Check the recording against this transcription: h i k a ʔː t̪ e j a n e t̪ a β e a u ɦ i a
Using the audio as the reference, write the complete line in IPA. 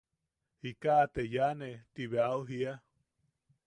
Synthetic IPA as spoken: h i k a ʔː t̪ e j a n e t̪ i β e a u ɦ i a